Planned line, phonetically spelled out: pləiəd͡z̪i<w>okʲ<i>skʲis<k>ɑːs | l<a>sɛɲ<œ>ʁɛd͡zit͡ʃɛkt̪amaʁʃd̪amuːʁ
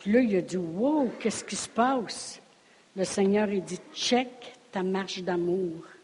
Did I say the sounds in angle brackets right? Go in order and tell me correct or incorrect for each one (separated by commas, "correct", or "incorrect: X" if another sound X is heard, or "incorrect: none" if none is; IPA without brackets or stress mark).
correct, incorrect: ɛ, incorrect: p, incorrect: ə, incorrect: œː